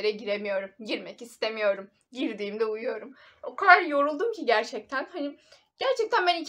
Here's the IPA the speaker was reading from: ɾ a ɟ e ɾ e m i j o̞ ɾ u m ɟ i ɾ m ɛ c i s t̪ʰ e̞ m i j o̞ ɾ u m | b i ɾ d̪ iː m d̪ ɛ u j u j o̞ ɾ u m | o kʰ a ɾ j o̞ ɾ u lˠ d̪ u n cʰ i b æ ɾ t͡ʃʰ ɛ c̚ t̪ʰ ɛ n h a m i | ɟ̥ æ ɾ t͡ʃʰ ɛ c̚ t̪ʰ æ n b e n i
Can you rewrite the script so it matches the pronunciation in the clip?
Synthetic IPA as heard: ɾ ɛ ɟ i ɾ e m i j o̞ ɾ u m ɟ i ɾ m ɛ c i s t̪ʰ e̞ m i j o̞ ɾ u m | ɟ i ɾ d̪ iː m d̪ ɛ u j u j o̞ ɾ u m | o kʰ a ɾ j o̞ ɾ u lˠ d̪ u m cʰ i ɟ æ ɾ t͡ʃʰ ɛ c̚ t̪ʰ æ n h a n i | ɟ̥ æ ɾ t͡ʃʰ ɛ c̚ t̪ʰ æ n b æ n i

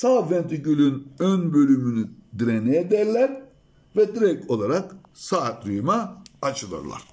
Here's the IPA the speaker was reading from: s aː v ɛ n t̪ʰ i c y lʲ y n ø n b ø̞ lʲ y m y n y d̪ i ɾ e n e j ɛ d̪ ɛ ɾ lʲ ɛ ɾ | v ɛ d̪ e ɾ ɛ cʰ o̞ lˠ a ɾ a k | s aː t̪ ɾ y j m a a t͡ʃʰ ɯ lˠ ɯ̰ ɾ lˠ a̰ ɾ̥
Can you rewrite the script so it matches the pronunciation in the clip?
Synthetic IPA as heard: s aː v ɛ n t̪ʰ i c y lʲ y n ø n b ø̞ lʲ y m y n y d̪ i ɾ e n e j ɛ d̪ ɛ ɾ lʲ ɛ ɾ | v ɛ d̪ i ɾ ɛ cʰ o̞ lˠ a ɾ a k | s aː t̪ ɾ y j m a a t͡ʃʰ ɯ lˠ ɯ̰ ɾ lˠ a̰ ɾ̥

